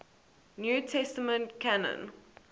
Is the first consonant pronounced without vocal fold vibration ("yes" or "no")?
no